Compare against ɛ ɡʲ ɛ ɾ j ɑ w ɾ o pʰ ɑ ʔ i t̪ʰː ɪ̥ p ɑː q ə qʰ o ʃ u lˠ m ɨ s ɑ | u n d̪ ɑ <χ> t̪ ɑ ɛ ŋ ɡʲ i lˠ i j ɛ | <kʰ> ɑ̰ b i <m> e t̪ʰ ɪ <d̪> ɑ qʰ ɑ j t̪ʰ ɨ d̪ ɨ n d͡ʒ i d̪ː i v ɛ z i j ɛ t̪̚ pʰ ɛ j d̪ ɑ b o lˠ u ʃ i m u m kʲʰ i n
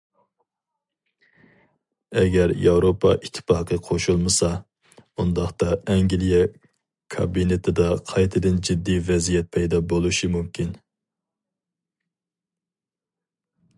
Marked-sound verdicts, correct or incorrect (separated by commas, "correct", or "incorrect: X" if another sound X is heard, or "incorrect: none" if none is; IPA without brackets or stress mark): correct, correct, incorrect: n, correct